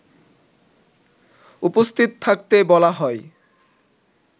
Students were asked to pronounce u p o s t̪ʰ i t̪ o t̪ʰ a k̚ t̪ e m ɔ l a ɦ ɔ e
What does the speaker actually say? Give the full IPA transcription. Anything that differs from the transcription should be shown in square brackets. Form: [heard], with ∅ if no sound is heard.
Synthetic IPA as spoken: u p o s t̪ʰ i t̪ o t̪ʰ a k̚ t̪ e [b] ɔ l a ɦ ɔ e